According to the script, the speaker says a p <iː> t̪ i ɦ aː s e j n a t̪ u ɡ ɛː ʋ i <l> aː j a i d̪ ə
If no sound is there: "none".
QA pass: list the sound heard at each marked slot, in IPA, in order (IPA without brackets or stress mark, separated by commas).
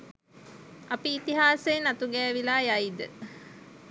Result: iː, l